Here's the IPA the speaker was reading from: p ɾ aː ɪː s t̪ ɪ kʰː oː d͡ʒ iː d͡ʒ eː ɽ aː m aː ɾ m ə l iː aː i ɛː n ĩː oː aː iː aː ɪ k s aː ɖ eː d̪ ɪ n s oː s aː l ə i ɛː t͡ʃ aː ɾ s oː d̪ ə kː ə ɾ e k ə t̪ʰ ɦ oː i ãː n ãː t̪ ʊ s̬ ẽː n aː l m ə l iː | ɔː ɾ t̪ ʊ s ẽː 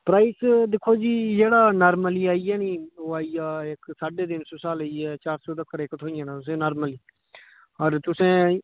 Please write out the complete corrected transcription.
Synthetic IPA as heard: p ɾ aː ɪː s d̪ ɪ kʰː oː d͡ʒ iː d͡ʒ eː ɽ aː n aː ɾ m ə l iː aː i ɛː n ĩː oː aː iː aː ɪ k s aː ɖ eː d̪ ɪ n s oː s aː l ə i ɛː t͡ʃ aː ɾ s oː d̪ ə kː ə ɾ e k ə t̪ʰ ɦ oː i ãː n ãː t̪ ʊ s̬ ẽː n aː ɾ m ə l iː | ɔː ɾ t̪ ʊ s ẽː